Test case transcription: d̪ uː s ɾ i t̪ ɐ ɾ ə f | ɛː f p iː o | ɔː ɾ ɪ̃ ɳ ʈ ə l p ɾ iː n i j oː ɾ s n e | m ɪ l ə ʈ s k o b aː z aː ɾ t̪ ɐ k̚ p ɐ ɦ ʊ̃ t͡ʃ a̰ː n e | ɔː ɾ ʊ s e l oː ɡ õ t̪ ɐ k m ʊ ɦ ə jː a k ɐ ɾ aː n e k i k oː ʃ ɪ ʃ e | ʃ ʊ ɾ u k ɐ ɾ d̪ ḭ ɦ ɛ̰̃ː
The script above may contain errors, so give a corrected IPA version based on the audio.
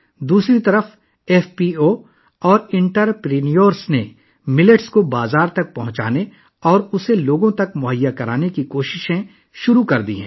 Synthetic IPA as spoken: d̪ uː s ɾ i t̪ ɐ ɾ ə f | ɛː f p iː o | ɔː ɾ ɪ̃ ɳ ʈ ə ɾ p ɾ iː n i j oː ɾ s n e | m ɪ l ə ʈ s k o b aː z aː ɾ t̪ ɐ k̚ p ɐ ɦ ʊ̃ t͡ʃ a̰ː n e | ɔː ɾ ʊ s e l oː ɡ õ t̪ ɐ k m ʊ ɦ ə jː a k ɐ ɾ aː n e k i k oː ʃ ɪ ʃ ẽ | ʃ ʊ ɾ u k ɐ ɾ d̪ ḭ ɦ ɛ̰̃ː

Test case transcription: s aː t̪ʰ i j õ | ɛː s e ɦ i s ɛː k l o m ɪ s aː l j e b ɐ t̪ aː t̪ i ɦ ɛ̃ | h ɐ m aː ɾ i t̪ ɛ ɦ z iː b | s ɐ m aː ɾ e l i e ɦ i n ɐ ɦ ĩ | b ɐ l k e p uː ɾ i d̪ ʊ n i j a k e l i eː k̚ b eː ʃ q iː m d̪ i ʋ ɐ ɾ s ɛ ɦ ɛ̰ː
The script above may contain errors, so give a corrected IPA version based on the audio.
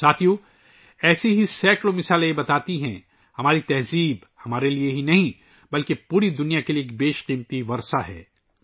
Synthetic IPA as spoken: s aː t̪ʰ i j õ | ɛː s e ɦ i s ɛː k l o m ɪ s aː l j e b ɐ t̪ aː t̪ i ɦ ɛ̃ | h ɐ m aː ɾ i t̪ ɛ ɦ z iː b | h ɐ m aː ɾ e l i e ɦ i n ɐ ɦ ĩ | b ɐ l k e p uː ɾ i d̪ ʊ n i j a k e l i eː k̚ b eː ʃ q iː m t̪ i ʋ ɐ ɾ s a ɦ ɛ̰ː

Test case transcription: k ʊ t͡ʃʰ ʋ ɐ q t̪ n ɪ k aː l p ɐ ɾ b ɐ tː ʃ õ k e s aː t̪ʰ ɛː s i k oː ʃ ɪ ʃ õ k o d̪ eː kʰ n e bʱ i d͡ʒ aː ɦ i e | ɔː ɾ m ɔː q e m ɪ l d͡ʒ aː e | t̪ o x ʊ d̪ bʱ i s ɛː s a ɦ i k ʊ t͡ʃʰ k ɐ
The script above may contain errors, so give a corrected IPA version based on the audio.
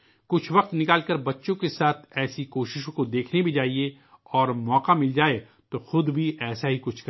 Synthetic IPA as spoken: k ʊ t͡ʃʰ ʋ ɐ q t̪ n ɪ k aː l k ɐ ɾ b ɐ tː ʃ õ k e s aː t̪ʰ ɛː s i k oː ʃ ɪ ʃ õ k o d̪ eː kʰ n e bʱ i d͡ʒ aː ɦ i e | ɔː ɾ m ɔː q a m ɪ l d͡ʒ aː e | t̪ o x ʊ d̪ bʱ i ɛː s a ɦ i k ʊ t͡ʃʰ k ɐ

